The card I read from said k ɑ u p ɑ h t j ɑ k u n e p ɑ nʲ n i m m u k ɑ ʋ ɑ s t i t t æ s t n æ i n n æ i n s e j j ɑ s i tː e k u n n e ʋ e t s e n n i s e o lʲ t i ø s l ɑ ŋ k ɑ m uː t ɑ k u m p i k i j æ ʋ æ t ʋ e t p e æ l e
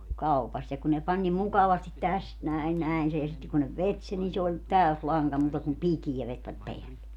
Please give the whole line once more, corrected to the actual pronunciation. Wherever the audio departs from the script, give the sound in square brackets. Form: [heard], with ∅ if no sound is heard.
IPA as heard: k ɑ u p ɑ [s] t j ɑ k u n e p ɑ nʲ n i m m u k ɑ ʋ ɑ s t i t t æ s t n æ i n n æ i n s e j j ɑ s i tː e k u n n e ʋ e t s e n n i s e o lʲ t [æ] ø s l ɑ ŋ k ɑ m uː t ɑ k u m p i k i j æ ʋ [e] t ʋ [æ] t p e æ [lː] e